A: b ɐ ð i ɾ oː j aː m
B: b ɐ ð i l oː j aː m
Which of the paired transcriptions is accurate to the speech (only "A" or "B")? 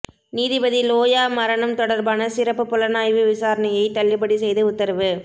B